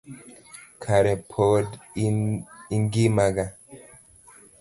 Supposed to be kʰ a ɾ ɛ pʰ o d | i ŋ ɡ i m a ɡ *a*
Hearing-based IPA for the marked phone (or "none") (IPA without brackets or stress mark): a